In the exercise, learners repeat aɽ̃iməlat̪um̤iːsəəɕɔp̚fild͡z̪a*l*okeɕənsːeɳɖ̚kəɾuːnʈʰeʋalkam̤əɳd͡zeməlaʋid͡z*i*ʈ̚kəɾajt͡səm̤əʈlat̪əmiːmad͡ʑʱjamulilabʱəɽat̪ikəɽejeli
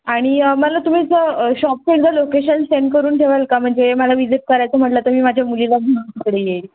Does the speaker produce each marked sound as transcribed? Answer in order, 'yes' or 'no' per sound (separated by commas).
yes, yes